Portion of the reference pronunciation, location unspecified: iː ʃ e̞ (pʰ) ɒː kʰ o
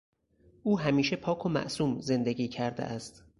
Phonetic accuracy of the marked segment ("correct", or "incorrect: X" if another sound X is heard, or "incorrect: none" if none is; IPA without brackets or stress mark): correct